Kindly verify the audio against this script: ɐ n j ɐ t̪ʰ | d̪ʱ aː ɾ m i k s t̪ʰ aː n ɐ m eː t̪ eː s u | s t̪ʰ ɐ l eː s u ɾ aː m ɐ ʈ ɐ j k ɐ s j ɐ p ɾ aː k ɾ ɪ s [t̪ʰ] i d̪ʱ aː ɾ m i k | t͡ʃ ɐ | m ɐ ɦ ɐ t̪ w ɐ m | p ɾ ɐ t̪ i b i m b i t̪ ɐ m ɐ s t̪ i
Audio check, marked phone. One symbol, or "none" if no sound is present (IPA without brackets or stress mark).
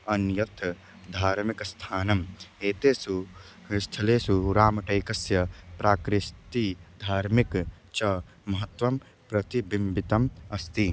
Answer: t̪